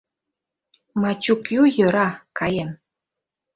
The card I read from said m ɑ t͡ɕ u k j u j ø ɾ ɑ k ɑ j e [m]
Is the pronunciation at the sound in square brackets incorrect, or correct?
correct